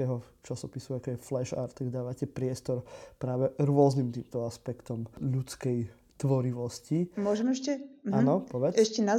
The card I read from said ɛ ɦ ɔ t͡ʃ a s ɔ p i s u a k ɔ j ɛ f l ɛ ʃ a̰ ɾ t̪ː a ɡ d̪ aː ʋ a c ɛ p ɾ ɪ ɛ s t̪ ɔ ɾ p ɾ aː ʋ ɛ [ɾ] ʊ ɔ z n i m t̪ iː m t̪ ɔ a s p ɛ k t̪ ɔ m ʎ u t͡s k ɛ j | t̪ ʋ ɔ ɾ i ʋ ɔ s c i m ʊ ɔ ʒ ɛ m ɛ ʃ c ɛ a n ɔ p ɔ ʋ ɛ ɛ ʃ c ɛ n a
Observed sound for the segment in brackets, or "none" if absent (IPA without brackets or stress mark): ɾ